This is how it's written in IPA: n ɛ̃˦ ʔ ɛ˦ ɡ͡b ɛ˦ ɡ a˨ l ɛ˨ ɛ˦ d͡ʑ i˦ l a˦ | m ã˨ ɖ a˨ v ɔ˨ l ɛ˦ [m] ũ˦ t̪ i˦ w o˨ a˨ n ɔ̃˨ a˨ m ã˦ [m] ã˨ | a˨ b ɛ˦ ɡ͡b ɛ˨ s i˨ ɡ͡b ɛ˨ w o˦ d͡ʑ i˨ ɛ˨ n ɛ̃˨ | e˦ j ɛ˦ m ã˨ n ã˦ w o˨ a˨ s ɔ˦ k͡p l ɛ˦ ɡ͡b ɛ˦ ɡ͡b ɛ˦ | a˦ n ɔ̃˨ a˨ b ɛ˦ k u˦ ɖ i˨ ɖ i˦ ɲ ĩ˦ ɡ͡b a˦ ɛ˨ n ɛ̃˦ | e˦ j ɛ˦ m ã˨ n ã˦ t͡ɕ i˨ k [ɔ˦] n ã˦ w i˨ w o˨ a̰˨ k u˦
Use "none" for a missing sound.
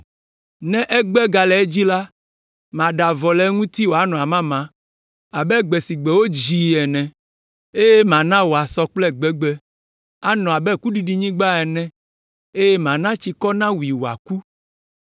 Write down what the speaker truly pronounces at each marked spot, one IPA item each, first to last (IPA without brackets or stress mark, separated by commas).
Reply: ŋ, m, ɔ˦